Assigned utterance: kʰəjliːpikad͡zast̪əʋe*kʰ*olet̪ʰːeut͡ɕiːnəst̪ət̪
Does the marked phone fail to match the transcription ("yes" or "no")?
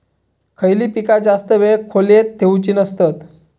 no